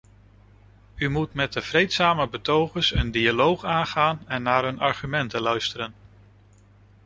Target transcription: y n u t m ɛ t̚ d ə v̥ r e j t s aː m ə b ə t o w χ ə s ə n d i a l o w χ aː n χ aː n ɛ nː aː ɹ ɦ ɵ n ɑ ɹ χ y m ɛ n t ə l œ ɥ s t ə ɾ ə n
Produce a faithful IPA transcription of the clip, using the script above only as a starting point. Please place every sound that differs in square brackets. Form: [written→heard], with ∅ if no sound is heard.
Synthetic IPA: y [n→m] u t m ɛ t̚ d ə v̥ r e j t s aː m ə b ə t o w χ ə s ə n d i a l o w χ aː n χ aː n ɛ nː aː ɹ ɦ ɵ n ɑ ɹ χ y m ɛ n t ə l œ ɥ s t ə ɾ ə n